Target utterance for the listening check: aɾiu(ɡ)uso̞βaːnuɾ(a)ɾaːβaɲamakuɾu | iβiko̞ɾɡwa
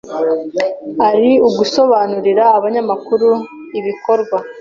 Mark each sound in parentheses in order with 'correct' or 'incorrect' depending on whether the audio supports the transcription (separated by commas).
correct, incorrect